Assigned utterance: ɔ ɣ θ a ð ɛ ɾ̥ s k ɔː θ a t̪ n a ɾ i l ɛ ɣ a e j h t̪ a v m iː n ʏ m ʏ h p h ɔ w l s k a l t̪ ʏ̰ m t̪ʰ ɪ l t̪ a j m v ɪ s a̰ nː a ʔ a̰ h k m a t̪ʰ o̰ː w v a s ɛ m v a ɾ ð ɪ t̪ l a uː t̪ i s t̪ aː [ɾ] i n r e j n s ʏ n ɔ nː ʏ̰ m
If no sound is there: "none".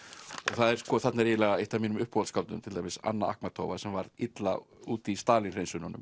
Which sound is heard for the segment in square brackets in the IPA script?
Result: l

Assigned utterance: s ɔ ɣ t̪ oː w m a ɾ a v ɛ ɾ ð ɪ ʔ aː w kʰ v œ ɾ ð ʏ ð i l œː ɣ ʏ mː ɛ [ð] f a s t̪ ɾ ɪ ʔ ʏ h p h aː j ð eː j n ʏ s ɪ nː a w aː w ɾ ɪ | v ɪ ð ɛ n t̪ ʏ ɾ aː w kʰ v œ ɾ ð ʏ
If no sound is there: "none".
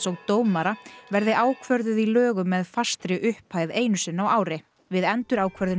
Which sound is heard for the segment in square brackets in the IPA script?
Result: ð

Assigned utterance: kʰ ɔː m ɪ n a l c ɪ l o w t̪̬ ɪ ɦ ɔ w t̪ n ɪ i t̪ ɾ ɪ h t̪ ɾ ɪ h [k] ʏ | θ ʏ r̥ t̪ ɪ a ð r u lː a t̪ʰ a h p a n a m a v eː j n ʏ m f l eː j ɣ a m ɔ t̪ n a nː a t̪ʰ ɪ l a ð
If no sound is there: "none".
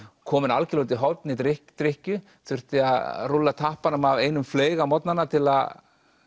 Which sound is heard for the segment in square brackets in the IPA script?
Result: c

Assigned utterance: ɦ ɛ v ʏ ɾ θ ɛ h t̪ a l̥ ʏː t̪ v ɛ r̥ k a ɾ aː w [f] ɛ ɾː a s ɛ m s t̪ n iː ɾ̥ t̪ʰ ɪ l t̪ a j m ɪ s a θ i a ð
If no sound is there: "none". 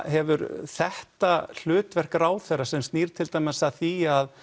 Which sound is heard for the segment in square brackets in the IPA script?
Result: θ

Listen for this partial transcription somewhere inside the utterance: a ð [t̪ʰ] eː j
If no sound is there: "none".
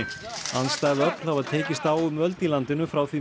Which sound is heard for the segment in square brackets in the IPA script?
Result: t̪ʰ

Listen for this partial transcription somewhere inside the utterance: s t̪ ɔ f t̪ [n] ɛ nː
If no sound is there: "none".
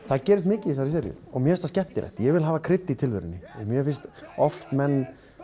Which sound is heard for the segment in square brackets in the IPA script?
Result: m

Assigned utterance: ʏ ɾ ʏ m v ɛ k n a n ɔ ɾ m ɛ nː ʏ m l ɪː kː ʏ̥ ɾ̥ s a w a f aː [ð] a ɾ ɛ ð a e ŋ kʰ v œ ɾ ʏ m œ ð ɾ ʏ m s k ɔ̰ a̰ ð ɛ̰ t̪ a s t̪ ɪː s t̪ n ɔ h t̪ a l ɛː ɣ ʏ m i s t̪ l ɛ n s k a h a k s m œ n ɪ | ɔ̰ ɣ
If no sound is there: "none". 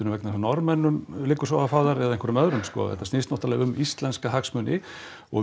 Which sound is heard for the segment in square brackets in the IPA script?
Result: ð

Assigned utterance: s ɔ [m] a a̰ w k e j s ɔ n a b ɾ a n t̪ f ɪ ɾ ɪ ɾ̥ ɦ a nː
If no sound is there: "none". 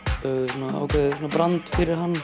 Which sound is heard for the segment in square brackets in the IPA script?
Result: n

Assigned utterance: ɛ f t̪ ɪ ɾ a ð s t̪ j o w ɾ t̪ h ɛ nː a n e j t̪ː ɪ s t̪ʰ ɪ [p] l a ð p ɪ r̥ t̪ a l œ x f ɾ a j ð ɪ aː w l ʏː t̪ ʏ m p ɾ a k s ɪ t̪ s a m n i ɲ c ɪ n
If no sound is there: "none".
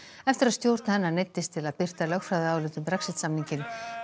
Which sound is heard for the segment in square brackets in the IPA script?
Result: none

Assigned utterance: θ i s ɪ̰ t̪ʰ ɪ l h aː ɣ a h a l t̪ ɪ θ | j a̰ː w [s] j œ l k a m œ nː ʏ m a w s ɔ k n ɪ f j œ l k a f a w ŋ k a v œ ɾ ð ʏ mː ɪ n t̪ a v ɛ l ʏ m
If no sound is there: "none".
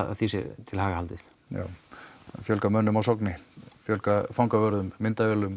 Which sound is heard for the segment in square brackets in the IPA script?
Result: f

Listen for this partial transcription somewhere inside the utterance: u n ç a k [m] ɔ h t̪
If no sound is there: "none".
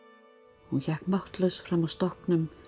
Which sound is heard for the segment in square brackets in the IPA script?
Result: m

